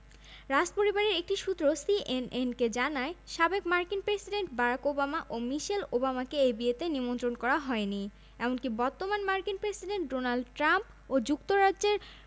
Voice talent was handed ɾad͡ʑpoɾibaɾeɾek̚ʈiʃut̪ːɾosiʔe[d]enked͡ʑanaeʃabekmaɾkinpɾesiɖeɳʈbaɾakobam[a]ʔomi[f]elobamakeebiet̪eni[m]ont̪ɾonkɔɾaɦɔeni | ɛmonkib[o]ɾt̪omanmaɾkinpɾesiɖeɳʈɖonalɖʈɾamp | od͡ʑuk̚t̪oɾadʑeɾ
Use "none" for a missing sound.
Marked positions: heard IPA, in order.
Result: n, a, ʃ, m, ɔ

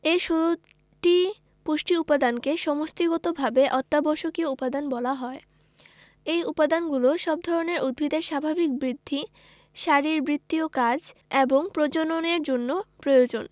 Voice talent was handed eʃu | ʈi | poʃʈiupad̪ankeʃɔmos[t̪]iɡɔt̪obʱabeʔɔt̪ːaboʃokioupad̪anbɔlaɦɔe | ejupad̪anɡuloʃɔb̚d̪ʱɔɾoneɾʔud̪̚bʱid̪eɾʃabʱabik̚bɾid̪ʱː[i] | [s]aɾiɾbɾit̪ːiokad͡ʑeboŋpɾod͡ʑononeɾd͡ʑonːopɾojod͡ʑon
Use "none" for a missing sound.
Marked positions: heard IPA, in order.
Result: t̪, i, ʃ

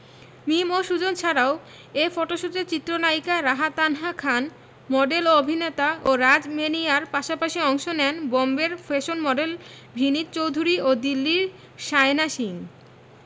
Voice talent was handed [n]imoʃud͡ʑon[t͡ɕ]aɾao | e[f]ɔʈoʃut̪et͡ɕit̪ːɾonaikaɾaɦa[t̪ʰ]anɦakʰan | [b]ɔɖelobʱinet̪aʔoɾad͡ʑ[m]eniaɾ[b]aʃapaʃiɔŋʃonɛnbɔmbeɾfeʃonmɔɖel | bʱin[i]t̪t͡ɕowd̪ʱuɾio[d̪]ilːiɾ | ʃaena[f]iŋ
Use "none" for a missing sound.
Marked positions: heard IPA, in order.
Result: m, t͡ɕʰ, f, t̪, m, m, p, i, d̪, ʃ

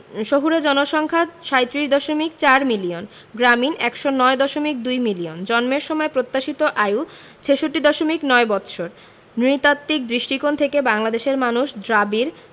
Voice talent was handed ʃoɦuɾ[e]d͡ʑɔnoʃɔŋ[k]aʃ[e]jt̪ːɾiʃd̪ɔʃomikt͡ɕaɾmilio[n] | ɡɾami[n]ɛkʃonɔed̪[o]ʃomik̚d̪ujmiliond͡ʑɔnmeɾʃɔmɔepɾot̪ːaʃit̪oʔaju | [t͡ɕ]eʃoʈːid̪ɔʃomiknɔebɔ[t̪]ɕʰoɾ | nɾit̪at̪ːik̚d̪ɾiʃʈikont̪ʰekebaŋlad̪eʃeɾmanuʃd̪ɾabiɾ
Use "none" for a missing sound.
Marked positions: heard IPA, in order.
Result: e, kʰ, a, n, n, ɔ, t͡ɕʰ, t̪

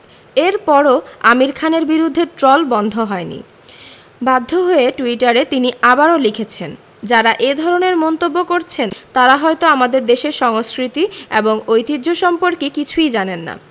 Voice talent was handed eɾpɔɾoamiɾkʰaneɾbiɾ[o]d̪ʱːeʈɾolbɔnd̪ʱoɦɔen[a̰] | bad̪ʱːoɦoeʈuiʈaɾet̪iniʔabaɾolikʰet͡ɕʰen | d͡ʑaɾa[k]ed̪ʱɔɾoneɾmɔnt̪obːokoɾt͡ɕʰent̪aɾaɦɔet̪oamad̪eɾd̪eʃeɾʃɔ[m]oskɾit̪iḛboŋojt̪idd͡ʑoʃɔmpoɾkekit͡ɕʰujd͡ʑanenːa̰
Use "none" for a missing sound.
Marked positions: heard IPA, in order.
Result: u, ḭ, ʔ, ŋ

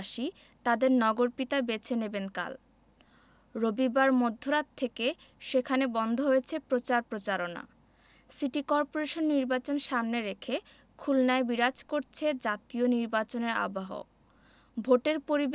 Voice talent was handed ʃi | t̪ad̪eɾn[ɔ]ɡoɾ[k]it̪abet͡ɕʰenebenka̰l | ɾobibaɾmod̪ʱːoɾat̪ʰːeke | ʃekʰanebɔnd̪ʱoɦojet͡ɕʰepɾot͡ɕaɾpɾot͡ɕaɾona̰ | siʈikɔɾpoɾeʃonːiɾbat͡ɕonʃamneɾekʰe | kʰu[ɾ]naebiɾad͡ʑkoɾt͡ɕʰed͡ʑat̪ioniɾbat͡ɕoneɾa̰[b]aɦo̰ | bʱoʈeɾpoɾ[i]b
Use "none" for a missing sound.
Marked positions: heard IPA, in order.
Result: ɔ, p, l, b, i

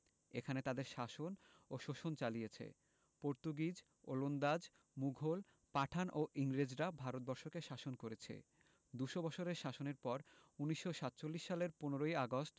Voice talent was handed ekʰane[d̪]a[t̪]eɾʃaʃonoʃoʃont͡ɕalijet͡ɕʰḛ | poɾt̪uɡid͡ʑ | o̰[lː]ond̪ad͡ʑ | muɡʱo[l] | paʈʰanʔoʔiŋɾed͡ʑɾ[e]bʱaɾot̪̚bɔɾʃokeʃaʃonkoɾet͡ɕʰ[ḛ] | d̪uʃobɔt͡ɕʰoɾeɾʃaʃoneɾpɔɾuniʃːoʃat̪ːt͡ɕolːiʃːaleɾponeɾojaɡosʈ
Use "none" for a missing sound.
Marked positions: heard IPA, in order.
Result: t̪, d̪, l, l, a, ḛ

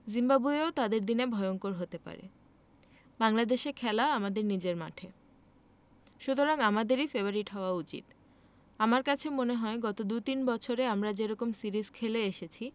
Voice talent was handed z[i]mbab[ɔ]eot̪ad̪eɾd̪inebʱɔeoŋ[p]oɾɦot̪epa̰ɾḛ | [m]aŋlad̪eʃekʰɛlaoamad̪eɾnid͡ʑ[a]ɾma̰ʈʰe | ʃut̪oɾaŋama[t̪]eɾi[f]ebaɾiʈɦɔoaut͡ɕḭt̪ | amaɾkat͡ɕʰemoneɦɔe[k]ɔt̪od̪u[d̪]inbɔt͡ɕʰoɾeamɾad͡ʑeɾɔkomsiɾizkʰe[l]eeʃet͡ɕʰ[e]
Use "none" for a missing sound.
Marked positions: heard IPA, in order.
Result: i, u, k, b, e, d̪, f, ɡ, t̪, l, i

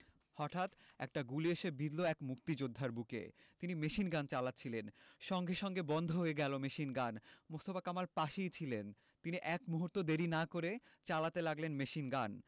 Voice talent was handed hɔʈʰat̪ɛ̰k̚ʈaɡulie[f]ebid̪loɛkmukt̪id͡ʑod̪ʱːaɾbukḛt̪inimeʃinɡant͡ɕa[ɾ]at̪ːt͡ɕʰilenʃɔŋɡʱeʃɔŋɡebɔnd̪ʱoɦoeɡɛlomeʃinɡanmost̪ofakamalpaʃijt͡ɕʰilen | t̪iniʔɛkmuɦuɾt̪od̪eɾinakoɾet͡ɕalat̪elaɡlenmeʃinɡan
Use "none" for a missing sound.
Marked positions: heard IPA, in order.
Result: ʃ, l

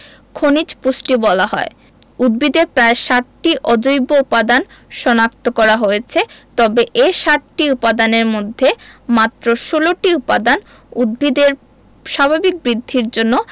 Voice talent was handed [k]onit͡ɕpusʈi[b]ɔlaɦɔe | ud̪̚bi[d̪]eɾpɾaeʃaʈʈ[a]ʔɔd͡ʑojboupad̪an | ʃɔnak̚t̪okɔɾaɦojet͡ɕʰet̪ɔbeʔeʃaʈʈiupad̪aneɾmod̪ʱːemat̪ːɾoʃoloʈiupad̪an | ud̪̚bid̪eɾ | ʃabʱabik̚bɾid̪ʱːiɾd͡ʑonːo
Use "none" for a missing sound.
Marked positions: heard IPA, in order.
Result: kʰ, b, d̪, i

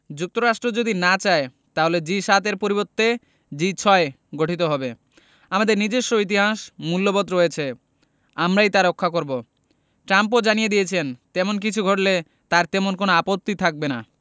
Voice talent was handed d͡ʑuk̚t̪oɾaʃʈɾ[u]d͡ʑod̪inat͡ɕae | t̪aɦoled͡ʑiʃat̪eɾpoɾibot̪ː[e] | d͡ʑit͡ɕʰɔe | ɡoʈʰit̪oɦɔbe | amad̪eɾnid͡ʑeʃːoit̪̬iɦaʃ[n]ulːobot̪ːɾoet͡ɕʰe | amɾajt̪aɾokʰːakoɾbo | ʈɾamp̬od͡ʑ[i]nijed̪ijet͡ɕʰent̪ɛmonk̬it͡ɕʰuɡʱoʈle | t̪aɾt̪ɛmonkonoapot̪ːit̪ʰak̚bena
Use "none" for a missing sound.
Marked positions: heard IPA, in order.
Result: o, e, m, a

